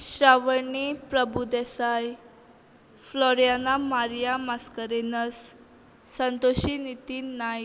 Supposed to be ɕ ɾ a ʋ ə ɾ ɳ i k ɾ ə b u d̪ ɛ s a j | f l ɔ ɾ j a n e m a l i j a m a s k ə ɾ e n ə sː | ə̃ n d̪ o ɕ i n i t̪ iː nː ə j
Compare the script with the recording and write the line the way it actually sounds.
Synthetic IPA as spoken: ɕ ɾ a ʋ ə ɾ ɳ i p ɾ ə b u d̪ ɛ s a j | f l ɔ ɾ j a n a m a ɾ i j a m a s k ə ɾ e n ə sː | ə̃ n t̪ o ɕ i n i t̪ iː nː a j